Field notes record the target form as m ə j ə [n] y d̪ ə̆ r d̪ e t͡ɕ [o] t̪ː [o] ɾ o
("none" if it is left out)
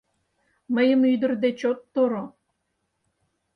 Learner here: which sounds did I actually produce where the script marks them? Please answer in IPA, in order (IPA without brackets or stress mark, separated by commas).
m, o, o